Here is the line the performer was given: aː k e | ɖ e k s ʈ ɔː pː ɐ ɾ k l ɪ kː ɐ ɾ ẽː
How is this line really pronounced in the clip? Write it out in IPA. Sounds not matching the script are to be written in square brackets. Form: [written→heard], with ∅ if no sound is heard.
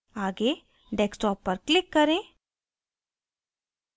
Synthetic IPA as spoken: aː [k→ɡ] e | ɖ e k s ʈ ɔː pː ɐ ɾ k l ɪ kː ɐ ɾ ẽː

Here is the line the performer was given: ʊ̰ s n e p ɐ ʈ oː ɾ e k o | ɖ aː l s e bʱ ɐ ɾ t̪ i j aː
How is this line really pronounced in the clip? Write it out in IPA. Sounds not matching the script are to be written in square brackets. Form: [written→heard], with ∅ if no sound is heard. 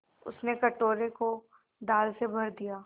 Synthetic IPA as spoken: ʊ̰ s n e [p→k] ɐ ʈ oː ɾ e k o | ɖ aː l s e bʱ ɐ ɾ [t̪→d̪] i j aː

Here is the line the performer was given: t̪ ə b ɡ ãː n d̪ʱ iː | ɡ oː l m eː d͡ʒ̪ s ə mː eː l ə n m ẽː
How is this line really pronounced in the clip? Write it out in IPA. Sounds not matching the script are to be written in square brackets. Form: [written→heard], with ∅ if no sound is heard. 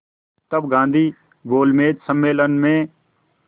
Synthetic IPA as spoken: t̪ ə b ɡ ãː n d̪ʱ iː | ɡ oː l m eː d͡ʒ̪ s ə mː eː l ə n m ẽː

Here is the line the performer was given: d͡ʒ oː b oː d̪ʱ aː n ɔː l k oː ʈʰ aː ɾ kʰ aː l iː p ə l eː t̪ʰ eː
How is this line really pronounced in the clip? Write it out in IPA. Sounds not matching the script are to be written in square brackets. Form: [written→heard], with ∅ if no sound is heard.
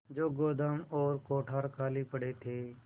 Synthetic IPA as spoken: d͡ʒ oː [b→ɡ] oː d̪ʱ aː [n→m] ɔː [l→ɾ] k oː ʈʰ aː ɾ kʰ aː l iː p ə [l→ɽ] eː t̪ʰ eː

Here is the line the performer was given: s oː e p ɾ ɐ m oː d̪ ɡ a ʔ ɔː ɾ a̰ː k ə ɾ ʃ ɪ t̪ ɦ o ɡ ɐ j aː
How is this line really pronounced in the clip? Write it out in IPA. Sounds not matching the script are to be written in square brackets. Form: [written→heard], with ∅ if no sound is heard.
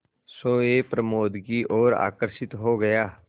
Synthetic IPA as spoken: s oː e p ɾ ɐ m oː d̪ ɡ [a→i] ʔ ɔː ɾ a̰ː k ə ɾ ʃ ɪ t̪ ɦ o ɡ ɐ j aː

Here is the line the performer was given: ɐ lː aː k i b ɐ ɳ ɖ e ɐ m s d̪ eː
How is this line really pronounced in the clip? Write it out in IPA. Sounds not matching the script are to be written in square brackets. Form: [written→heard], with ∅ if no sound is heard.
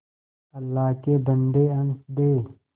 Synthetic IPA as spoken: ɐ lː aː k [i→e] b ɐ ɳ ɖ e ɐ [m→n] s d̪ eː

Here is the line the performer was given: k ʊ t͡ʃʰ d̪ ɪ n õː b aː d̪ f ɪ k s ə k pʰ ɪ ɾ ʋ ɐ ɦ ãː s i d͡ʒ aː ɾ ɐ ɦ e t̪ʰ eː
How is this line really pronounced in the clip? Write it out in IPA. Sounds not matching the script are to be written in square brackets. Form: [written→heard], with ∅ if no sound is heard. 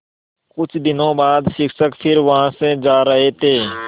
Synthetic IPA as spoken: k ʊ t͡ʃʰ d̪ ɪ n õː b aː d̪ [f→ʃ] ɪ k s ə k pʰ ɪ ɾ ʋ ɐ ɦ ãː s [i→e] d͡ʒ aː ɾ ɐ ɦ e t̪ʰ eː

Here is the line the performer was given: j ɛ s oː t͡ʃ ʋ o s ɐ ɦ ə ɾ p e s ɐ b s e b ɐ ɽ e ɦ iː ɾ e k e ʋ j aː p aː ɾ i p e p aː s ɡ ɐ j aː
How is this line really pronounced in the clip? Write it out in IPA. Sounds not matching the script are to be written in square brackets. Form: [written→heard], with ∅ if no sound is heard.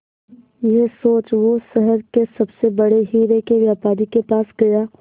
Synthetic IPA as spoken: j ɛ s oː t͡ʃ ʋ o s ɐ ɦ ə ɾ [p→k] e s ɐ b s e b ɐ ɽ e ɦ iː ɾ e k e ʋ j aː p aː ɾ i [p→k] e p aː s ɡ ɐ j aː

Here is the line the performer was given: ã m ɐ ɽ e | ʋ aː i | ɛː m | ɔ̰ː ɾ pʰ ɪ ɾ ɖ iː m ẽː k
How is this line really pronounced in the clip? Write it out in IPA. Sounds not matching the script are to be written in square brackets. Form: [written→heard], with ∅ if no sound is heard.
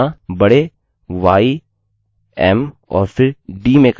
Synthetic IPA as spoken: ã [m→b] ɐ ɽ e | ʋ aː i | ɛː m | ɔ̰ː ɾ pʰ ɪ ɾ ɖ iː m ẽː k

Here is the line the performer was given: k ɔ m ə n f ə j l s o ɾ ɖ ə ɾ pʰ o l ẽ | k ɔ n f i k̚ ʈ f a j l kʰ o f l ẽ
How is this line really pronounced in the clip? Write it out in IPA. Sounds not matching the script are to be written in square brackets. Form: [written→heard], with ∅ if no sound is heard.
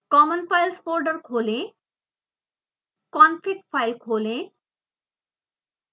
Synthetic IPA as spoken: k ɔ m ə n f [ə→a] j l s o ɾ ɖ ə ɾ [pʰ→kʰ] o l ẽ | k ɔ n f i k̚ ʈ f a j l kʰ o [f→∅] l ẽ

